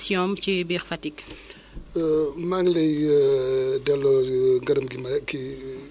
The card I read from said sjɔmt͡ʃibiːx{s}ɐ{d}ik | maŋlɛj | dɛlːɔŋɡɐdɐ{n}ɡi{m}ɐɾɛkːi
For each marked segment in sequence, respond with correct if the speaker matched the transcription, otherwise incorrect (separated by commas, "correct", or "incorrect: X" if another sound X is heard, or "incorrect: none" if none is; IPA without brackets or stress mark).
incorrect: f, incorrect: t, incorrect: m, correct